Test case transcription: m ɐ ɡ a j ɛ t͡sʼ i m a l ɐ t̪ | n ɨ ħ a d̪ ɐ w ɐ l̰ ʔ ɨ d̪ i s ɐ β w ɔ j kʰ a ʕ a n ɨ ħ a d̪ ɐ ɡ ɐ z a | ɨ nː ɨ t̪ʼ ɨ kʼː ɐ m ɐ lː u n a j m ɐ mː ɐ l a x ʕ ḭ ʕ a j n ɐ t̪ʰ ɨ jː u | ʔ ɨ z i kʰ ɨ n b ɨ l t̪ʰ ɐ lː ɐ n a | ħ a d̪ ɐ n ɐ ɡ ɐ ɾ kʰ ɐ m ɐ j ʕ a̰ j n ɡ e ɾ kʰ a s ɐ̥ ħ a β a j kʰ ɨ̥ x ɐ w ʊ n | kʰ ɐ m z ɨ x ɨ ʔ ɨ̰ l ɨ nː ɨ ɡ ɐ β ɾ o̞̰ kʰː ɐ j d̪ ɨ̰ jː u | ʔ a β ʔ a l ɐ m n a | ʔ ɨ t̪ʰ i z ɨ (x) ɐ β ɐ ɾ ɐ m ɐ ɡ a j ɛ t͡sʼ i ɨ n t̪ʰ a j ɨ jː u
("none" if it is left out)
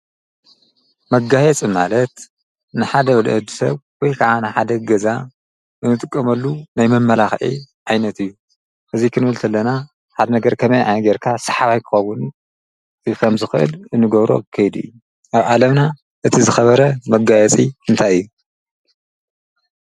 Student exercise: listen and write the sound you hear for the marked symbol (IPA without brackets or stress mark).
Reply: x